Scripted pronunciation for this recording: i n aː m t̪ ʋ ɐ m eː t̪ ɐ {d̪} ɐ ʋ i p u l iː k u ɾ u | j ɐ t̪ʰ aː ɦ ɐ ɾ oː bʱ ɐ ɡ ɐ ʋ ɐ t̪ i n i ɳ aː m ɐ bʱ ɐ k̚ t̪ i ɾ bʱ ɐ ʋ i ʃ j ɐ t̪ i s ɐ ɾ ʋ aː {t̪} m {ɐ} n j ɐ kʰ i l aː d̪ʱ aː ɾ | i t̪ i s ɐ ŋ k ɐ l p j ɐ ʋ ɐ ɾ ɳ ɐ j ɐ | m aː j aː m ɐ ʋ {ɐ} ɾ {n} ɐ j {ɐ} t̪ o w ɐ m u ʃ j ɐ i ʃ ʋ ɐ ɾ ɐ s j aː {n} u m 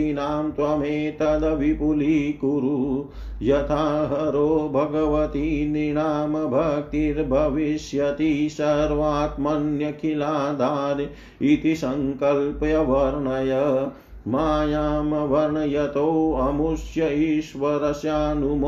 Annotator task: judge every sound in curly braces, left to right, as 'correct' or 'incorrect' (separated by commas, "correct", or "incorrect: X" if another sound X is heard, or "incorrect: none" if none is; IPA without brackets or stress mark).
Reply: correct, correct, correct, correct, incorrect: ɳ, correct, correct